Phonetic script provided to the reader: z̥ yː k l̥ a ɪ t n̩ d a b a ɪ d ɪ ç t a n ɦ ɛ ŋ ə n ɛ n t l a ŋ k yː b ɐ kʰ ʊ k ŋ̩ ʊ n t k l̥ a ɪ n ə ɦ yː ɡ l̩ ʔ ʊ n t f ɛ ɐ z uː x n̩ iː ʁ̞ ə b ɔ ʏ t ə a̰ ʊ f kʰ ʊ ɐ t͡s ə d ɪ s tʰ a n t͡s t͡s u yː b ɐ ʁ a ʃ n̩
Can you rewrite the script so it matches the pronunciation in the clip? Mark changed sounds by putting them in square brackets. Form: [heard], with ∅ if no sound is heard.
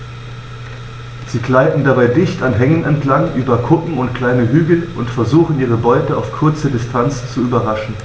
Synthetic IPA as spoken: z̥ [iː] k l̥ a ɪ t n̩ d a b a ɪ d ɪ ç t a n ɦ ɛ ŋ ə n ɛ n t l a ŋ [ʔ] yː b ɐ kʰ ʊ k ŋ̩ ʊ n t k l̥ a ɪ n ə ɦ yː ɡ l̩ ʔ ʊ n t f ɛ ɐ z uː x n̩ iː ʁ̞ ə b ɔ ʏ t ə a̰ ʊ f kʰ ʊ ɐ t͡s ə d ɪ s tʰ a n t͡s t͡s u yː b ɐ ʁ a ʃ n̩